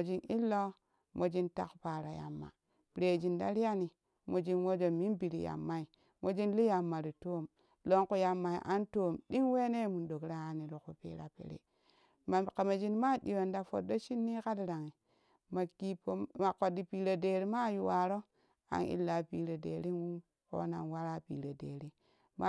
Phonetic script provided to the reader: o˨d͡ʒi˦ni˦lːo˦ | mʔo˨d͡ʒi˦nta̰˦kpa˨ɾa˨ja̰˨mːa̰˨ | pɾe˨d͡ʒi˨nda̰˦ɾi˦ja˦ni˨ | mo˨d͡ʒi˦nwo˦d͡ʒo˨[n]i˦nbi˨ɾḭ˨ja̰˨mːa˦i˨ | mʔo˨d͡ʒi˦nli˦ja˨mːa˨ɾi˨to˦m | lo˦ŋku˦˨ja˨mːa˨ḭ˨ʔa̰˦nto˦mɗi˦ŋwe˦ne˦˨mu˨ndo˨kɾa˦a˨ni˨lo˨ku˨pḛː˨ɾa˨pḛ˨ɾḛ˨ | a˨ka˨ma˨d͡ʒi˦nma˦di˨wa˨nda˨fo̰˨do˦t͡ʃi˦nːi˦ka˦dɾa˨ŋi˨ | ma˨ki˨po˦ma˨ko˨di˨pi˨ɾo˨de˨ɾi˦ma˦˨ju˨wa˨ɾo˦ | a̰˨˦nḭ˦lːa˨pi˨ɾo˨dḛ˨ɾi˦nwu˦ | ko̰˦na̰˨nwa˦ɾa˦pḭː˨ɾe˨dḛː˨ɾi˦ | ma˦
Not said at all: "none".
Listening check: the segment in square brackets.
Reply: m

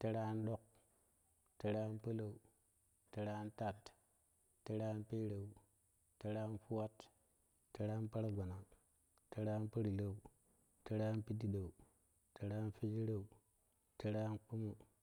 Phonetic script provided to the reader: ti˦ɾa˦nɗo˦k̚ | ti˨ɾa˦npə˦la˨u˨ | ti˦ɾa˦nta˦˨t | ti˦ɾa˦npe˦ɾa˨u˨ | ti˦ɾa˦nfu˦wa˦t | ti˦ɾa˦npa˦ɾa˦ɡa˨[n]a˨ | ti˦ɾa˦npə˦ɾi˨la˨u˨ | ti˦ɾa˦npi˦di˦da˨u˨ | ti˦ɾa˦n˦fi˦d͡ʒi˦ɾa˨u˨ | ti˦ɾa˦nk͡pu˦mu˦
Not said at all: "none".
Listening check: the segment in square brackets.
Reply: n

